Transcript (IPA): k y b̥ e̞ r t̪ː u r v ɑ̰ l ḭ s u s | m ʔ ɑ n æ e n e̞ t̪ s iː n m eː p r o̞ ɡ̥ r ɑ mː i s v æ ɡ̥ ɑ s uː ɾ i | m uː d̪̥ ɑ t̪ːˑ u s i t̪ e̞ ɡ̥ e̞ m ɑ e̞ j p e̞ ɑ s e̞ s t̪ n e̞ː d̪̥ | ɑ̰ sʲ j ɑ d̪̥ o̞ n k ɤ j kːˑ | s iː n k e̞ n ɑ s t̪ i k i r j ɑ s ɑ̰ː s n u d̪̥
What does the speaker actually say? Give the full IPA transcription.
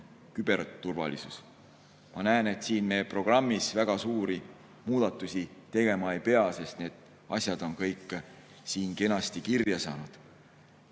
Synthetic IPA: k y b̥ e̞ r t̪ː u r v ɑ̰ l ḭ s u s | m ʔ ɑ n æ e n e̞ t̪ s iː n m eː p r o̞ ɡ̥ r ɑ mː i s v æ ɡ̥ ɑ s uː ɾ i | m uː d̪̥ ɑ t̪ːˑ u s i t̪ e̞ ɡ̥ e̞ m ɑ e̞ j p e̞ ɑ s e̞ s t̪ n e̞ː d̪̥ | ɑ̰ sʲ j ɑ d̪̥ o̞ n k ɤ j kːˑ | s iː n k e̞ n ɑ s t̪ i k i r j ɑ s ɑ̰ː n u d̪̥